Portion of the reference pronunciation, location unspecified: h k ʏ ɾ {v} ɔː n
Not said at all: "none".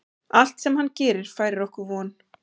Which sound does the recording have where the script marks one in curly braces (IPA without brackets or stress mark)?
v